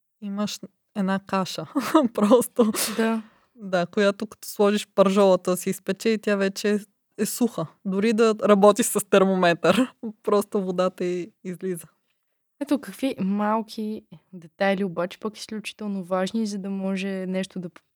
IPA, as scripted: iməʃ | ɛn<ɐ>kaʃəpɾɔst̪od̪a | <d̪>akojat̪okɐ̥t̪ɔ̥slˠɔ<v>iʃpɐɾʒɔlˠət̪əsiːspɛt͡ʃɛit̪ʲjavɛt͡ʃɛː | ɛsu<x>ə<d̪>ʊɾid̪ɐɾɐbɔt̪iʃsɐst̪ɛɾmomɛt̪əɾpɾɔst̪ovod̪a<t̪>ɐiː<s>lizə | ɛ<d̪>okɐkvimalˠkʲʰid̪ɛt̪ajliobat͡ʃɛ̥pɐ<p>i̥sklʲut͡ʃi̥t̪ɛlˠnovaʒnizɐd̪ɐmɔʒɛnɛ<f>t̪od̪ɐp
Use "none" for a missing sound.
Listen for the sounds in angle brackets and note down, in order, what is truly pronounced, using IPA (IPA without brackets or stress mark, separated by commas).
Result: a, d̪, ʒ, x, d̪, t̪, z, t̪, k, ʃ